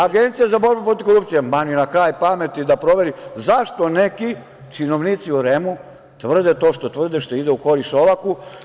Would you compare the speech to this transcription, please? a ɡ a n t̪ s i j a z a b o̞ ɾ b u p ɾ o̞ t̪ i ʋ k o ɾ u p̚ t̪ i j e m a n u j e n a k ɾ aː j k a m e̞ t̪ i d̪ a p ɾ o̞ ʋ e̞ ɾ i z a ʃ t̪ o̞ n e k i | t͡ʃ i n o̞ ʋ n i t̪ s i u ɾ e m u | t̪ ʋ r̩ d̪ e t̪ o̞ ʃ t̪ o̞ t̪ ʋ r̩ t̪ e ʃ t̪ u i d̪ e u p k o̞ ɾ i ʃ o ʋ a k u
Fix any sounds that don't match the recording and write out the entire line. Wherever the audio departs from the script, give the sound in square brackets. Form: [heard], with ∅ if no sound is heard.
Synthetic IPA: a ɡ [e] n t̪ s i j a z a b o̞ ɾ b u p ɾ o̞ t̪ i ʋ k o ɾ u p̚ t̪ i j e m a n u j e n a k ɾ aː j [p] a m e̞ t̪ i d̪ a p ɾ o̞ ʋ e̞ ɾ i z a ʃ t̪ o̞ n e k i | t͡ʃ i n o̞ ʋ n i t̪ s i u ɾ e m u | t̪ ʋ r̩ d̪ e t̪ o̞ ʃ t̪ o̞ t̪ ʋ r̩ [d̪] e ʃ t̪ [o] i d̪ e u [∅] k o̞ ɾ i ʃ o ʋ a k u